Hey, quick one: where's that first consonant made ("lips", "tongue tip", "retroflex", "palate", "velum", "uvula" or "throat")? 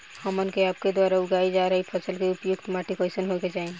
throat